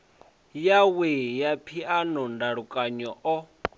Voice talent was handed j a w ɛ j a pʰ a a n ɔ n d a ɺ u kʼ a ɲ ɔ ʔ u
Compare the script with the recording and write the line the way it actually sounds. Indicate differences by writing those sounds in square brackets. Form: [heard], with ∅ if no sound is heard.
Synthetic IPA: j a w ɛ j a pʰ [i] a n ɔ n d a ɺ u kʼ a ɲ ɔ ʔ [ɔ]